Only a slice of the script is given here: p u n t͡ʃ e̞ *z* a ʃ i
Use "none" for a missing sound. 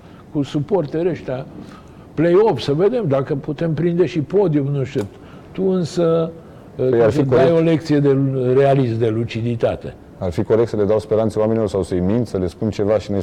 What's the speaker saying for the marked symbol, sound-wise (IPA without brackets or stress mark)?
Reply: v